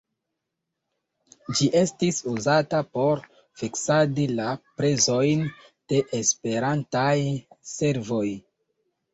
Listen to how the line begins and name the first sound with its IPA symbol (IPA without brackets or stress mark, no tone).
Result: d͡ʒ